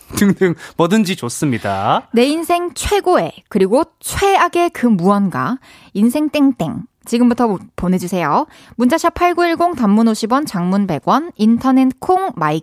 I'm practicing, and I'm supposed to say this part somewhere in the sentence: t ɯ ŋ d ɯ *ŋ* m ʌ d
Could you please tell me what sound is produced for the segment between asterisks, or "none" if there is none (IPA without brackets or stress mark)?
ŋ